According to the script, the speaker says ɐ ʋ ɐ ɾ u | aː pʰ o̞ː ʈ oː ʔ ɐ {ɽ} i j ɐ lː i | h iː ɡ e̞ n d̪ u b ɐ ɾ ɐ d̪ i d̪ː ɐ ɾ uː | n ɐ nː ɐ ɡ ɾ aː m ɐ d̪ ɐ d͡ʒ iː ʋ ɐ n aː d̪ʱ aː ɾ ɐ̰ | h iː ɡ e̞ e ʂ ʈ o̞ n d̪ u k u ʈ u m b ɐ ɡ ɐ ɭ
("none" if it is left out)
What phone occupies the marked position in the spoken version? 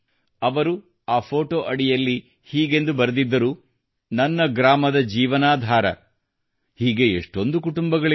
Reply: ɽ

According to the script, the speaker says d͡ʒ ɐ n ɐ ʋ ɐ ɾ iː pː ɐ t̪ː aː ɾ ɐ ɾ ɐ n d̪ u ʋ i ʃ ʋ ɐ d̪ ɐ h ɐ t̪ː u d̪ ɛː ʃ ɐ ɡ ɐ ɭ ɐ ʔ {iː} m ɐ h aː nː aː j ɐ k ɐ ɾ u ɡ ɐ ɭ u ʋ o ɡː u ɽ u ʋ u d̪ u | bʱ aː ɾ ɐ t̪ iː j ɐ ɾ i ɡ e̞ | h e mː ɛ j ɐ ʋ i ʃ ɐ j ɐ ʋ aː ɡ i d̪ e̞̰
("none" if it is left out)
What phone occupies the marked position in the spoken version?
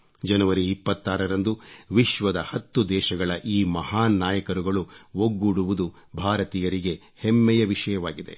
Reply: iː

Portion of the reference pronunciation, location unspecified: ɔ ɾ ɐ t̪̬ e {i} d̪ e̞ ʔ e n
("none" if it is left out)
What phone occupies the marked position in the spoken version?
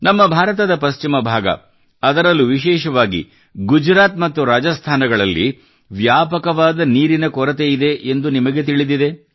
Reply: i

